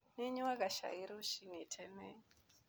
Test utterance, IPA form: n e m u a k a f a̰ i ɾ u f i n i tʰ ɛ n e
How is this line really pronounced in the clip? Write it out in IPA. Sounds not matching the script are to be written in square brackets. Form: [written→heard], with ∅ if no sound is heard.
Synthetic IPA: n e [m→ɲ] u a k a [f→ʃ] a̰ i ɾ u [f→ʃ] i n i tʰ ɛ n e